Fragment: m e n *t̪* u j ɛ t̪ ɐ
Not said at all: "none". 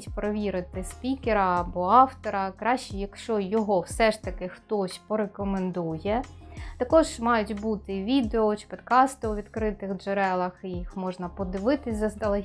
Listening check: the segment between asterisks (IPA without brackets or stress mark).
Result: d̪